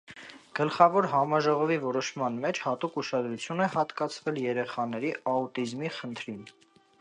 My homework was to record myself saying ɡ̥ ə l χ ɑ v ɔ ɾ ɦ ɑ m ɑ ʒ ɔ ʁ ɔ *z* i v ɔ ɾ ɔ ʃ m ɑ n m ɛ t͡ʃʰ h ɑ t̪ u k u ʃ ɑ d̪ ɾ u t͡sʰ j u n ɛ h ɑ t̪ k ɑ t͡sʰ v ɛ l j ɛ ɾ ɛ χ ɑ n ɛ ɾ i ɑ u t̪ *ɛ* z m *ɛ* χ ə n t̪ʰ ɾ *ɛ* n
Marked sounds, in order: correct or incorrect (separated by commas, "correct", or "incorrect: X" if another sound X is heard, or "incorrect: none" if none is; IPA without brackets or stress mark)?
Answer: incorrect: v, incorrect: i, incorrect: i, incorrect: i